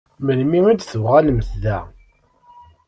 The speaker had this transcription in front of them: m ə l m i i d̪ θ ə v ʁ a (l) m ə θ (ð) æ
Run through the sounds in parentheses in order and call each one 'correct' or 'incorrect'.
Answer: correct, correct

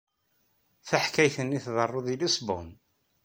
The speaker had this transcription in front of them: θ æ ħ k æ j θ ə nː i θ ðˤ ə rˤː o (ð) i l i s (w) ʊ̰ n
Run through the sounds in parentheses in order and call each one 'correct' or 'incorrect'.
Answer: correct, incorrect

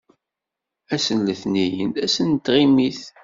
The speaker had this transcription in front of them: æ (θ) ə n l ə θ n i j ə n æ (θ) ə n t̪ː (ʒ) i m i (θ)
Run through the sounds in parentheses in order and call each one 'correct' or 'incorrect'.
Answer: incorrect, incorrect, incorrect, correct

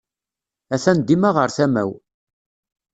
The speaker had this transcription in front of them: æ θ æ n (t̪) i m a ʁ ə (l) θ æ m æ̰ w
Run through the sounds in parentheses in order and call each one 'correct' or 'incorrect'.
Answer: incorrect, incorrect

